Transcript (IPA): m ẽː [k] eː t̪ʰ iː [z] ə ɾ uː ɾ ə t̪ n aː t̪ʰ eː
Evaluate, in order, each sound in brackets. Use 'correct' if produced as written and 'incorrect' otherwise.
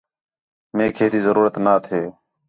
incorrect: kʰ, correct

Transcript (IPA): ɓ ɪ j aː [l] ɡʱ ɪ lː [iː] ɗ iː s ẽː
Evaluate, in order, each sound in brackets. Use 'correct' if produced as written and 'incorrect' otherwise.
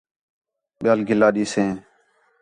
correct, incorrect: aː

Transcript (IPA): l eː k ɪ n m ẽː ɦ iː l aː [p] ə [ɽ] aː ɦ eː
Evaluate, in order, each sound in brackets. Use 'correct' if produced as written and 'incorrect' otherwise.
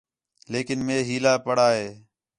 correct, correct

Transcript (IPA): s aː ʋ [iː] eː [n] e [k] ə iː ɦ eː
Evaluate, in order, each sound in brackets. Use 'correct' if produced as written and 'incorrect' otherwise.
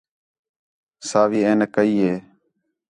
correct, correct, correct

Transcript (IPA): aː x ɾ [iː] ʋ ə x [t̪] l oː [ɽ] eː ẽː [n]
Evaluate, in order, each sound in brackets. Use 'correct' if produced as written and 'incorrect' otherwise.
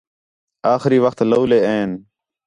correct, correct, incorrect: l, correct

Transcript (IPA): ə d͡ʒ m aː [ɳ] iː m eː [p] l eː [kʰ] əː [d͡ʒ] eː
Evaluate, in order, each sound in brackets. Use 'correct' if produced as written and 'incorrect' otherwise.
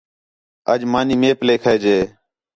incorrect: n, correct, correct, correct

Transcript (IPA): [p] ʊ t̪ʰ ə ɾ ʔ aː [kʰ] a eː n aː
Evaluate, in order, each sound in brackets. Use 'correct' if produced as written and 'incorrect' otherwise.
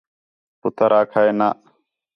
correct, correct

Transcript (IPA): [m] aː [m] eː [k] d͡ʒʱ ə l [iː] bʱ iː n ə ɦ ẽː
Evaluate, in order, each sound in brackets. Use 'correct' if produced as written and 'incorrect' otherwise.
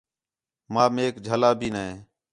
correct, correct, correct, incorrect: aː

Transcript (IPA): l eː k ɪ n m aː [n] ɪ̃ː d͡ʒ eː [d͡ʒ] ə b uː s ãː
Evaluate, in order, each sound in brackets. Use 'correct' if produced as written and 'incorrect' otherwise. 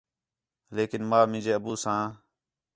incorrect: m, incorrect: none

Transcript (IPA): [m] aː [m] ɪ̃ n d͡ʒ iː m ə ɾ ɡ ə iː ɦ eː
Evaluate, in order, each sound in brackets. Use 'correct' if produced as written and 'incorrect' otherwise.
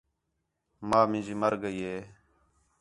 correct, correct

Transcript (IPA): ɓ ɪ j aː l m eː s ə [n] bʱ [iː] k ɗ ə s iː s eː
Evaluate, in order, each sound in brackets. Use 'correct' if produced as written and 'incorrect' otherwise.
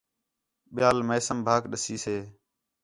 incorrect: m, incorrect: aː

